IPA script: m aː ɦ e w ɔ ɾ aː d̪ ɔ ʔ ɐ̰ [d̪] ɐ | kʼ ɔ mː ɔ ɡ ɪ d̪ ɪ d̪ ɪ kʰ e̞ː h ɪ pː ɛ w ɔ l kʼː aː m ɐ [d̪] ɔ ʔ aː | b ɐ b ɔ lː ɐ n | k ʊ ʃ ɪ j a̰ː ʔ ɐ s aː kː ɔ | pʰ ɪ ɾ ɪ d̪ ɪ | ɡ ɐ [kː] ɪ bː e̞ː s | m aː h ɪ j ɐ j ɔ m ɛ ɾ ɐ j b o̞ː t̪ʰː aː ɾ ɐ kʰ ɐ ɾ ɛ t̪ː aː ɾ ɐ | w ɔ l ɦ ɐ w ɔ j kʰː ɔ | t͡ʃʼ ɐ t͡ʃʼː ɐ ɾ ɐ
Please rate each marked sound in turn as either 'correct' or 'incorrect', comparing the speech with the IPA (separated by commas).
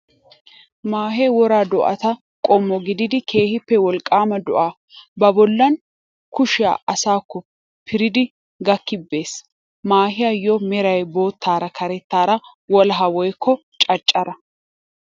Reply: incorrect, correct, correct